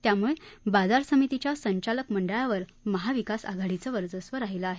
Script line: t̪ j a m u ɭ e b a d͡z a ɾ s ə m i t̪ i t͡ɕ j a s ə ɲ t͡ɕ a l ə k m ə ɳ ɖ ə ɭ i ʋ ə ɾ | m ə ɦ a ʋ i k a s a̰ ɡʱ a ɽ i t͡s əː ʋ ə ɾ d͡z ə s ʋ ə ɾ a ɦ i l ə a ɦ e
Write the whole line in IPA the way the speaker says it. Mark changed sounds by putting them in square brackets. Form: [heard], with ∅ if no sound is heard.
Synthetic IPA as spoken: t̪ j a m u ɭ e b a d͡z a ɾ s ə m i t̪ i t͡ɕ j a s ə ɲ t͡ɕ a l ə k m ə ɳ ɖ ə ɭ [a] ʋ ə ɾ | m ə ɦ a ʋ i k a s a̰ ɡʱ a ɽ i t͡s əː ʋ ə ɾ d͡z ə s ʋ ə ɾ a ɦ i l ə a ɦ e